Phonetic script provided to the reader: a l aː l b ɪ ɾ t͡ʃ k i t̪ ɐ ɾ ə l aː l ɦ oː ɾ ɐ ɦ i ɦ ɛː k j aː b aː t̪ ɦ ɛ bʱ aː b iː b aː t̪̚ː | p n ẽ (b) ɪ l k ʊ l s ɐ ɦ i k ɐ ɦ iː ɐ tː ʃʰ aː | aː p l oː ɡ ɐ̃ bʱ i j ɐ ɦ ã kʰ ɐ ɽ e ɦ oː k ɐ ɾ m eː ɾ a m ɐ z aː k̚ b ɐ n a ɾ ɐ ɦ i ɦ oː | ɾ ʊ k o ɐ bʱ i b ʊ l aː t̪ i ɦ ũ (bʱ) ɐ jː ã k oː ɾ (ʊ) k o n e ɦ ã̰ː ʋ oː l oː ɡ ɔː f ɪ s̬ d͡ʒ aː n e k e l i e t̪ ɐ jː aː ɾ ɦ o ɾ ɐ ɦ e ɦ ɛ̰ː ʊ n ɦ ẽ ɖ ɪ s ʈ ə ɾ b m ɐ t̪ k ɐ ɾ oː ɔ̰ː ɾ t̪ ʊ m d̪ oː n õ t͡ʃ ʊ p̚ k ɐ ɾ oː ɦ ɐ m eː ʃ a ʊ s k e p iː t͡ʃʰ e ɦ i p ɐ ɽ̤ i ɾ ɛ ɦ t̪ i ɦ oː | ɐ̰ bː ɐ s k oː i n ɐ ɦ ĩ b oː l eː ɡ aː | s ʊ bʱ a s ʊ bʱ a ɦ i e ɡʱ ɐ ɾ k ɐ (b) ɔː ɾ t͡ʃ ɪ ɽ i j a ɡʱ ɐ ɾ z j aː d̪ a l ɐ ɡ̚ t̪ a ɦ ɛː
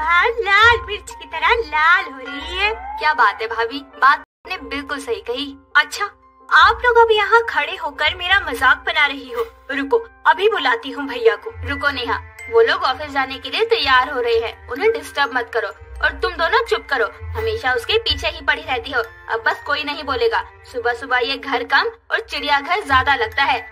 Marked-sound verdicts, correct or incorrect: correct, correct, correct, incorrect: m

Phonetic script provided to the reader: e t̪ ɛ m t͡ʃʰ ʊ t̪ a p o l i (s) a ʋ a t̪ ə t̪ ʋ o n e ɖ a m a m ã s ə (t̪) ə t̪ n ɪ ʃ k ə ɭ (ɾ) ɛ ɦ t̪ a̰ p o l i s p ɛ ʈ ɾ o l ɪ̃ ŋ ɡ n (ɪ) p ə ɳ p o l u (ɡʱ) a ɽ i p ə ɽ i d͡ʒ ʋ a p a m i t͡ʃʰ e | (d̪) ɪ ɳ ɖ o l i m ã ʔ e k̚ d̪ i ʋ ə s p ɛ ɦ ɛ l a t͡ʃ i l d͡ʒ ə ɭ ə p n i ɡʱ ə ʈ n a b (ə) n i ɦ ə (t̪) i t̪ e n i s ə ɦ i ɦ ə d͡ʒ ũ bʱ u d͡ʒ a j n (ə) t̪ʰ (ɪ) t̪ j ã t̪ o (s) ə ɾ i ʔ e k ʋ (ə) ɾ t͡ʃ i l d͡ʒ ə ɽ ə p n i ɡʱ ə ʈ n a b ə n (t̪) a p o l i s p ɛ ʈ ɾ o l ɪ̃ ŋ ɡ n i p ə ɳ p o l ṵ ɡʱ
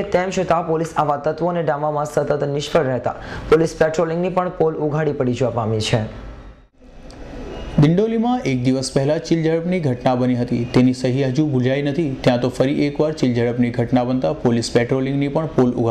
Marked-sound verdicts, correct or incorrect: correct, correct, correct, incorrect: i, correct, correct, correct, correct, correct, incorrect: i, incorrect: f, incorrect: a, correct

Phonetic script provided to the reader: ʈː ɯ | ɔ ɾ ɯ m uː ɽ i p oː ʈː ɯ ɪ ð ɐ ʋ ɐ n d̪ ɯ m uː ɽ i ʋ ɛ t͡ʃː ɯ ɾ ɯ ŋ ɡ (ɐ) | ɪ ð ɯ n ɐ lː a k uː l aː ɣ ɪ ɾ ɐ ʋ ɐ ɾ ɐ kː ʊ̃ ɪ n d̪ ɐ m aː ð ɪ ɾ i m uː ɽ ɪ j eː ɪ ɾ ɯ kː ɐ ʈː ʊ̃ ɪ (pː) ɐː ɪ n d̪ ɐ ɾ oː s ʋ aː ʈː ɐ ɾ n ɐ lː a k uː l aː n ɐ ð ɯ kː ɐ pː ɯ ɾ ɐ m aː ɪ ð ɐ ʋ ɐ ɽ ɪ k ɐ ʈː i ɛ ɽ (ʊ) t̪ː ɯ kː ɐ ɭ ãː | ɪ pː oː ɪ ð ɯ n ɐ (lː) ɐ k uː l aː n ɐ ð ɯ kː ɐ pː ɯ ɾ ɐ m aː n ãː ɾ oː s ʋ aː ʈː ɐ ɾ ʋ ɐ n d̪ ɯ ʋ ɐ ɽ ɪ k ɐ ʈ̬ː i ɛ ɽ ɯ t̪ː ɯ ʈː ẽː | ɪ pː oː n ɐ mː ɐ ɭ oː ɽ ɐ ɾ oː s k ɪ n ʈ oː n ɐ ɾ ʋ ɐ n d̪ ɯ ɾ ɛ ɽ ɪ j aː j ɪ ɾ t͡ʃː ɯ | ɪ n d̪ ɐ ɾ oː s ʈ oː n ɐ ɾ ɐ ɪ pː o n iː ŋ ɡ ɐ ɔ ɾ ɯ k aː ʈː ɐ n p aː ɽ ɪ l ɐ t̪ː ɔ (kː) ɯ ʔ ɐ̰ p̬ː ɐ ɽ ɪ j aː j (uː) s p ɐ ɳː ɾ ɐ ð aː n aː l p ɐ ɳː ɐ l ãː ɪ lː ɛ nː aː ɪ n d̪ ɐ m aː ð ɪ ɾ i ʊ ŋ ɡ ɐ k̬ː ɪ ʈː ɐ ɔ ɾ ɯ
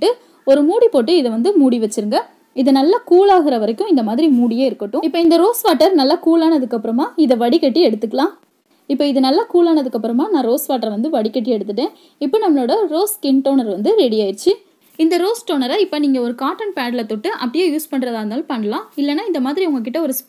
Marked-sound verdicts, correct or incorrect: correct, correct, incorrect: ɯ, correct, incorrect: ʈː, correct

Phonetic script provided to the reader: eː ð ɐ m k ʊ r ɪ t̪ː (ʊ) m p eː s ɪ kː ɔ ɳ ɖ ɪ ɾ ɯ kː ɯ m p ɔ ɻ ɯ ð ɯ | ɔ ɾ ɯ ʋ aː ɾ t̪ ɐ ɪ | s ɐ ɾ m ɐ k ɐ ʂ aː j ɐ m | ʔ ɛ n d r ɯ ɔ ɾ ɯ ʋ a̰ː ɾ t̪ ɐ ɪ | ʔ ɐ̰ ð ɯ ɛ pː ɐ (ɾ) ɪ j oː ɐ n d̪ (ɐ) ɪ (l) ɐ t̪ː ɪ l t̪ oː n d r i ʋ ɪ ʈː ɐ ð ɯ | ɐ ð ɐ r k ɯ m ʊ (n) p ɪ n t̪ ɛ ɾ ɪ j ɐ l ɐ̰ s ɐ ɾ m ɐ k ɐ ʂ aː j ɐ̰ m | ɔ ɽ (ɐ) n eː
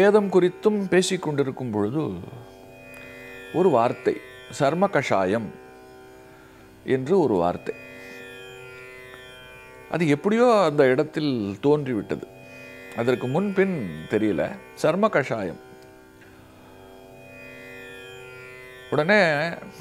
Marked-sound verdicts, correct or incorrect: incorrect: ɯ, incorrect: ɽ, correct, incorrect: ɽ, correct, correct

